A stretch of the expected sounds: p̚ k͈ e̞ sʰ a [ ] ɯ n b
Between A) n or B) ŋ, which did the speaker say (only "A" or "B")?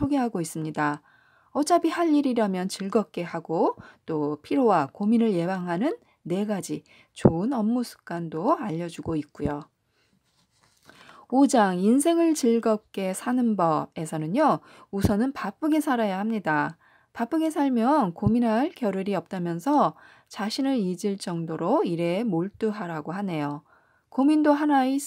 A